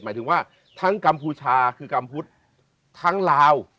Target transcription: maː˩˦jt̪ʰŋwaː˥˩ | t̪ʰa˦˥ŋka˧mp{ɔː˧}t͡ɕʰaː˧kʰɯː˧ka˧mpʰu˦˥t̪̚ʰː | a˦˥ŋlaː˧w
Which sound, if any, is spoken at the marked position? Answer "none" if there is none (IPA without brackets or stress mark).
uː˧